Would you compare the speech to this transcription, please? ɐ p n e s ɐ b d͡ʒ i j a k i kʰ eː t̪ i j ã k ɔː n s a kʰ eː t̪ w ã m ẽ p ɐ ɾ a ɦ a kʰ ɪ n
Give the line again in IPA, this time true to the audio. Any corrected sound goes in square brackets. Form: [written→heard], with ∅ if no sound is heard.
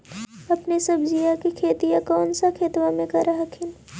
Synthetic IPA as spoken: ɐ p n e s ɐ b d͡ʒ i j a k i kʰ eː t̪ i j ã k ɔː n s a kʰ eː t̪ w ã m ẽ [p→k] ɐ ɾ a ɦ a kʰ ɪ n